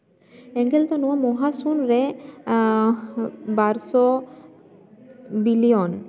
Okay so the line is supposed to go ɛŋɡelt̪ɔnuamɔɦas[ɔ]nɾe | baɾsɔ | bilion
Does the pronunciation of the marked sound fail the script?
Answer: yes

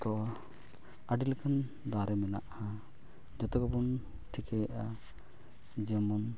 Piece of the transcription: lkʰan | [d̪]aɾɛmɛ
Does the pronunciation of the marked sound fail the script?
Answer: no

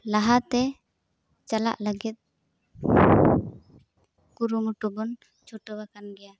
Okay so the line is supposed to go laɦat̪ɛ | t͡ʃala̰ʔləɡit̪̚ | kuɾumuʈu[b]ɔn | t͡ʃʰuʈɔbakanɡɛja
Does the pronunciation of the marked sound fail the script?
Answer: no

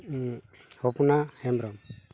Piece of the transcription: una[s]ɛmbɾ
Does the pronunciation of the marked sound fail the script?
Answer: yes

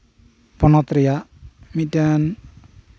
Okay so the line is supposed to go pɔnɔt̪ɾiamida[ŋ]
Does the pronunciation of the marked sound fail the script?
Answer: yes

